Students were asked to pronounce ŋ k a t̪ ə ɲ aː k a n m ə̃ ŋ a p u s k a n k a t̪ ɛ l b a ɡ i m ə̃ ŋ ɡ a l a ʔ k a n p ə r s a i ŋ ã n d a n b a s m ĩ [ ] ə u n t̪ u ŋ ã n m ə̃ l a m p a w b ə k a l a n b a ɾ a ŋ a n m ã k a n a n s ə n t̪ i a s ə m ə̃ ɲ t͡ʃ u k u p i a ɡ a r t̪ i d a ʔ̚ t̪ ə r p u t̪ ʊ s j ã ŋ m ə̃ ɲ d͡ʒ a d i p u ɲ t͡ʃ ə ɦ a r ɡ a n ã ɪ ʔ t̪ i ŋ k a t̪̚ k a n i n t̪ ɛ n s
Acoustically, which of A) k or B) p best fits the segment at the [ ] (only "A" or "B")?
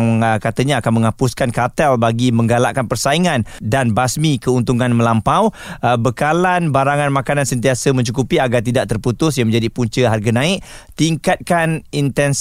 A